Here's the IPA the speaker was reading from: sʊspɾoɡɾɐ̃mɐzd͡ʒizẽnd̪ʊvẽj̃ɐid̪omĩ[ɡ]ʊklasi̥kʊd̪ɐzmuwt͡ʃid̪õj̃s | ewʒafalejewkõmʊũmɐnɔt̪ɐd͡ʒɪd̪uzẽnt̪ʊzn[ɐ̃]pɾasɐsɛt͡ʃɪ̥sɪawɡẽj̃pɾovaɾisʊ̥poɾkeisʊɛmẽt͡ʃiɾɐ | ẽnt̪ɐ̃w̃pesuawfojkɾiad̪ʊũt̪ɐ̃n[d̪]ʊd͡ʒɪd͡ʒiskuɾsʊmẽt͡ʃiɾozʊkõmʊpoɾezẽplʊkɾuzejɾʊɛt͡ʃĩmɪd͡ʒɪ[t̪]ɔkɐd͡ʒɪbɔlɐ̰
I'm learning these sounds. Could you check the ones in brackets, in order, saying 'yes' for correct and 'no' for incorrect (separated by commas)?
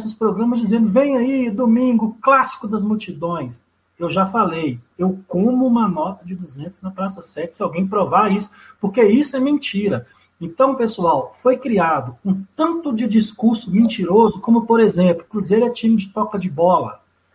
yes, no, no, yes